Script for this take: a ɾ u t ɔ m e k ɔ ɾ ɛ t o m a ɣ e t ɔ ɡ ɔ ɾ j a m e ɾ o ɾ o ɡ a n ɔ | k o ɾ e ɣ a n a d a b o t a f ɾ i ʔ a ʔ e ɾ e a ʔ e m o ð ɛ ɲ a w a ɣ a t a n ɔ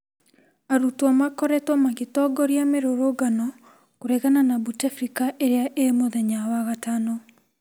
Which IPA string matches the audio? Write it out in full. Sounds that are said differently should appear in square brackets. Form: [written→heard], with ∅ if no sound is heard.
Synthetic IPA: a ɾ u t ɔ m [e→a] k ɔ ɾ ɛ t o m a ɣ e t ɔ ɡ ɔ ɾ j a m e ɾ o ɾ o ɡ a n ɔ | k o ɾ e ɣ a n a [d→n] a b [o→u] t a f ɾ i [ʔ→k] a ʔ e ɾ e a ʔ e m o ð ɛ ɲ a w a ɣ a t a n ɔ